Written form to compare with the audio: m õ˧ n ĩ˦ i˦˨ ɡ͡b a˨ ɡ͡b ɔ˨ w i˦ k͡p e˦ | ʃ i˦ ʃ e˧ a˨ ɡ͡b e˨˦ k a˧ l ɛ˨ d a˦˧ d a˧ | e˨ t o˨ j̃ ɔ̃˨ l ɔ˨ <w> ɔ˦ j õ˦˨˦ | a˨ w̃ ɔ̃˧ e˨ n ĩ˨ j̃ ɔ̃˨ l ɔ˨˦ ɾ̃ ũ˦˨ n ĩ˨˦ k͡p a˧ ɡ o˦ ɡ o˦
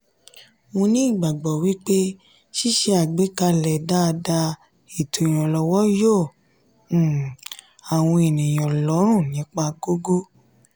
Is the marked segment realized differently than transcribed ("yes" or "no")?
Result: no